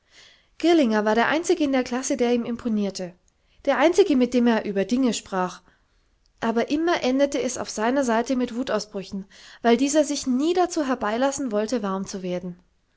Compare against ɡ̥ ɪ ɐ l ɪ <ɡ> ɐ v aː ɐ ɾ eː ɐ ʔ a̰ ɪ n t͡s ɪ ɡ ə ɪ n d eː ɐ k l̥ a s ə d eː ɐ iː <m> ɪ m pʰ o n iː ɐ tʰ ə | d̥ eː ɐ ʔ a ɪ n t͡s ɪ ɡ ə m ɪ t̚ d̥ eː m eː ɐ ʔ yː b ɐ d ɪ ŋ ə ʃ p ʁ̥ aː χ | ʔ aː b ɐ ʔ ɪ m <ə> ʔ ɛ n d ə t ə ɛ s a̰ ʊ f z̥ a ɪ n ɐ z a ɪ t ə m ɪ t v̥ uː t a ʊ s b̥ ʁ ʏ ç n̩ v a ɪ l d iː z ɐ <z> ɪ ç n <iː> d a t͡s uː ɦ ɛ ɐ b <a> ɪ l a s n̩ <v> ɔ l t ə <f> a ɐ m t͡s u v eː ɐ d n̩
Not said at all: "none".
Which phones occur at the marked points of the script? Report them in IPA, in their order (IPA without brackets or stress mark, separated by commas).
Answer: ŋ, m, ɐ, z, iː, a, v, v